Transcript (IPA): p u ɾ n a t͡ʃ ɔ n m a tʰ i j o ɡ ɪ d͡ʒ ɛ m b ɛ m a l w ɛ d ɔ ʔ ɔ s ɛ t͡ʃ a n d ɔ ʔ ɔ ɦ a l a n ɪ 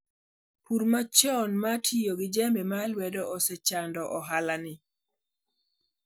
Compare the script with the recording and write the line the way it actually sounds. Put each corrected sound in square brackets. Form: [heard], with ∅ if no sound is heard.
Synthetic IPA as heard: p u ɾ [m] a t͡ʃ ɔ n m a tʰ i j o ɡ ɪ d͡ʒ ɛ m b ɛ m a l w ɛ d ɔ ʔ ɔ s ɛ t͡ʃ a n d ɔ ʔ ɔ ɦ a l a n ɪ